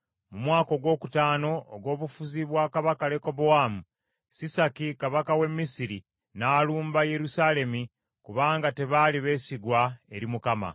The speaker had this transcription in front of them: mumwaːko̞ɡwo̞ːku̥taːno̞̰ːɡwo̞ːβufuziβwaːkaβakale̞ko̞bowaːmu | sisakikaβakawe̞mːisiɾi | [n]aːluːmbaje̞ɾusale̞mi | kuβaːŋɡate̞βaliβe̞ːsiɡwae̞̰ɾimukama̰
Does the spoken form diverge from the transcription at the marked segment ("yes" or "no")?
no